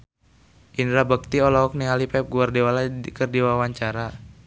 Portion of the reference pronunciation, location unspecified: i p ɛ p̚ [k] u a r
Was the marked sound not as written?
yes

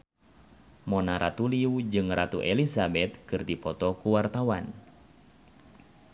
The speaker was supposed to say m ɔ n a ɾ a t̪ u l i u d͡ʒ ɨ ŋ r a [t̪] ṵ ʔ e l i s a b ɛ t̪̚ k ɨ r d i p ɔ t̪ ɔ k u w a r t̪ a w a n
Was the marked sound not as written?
no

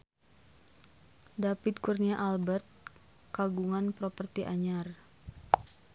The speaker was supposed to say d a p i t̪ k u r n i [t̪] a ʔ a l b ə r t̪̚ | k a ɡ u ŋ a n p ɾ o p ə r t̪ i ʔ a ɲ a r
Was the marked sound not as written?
yes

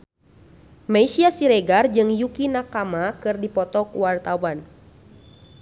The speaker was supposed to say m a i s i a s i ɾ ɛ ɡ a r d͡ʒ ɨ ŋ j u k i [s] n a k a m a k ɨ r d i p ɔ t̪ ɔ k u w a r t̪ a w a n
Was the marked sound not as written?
yes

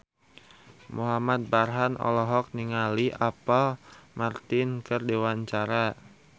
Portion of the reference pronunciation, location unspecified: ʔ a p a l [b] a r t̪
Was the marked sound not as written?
yes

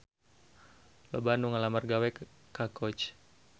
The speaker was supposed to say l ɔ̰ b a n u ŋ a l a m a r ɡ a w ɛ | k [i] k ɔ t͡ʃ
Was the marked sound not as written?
yes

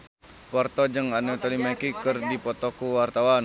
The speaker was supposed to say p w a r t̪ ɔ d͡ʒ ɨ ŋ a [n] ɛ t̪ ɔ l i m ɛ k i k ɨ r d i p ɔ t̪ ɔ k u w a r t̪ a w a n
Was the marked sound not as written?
no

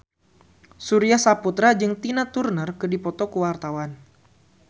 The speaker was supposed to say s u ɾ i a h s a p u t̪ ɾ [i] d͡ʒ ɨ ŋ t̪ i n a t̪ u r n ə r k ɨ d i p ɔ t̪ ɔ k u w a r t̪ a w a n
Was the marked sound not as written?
yes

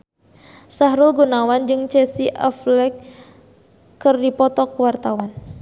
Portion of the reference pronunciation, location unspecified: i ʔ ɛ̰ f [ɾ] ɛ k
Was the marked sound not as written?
yes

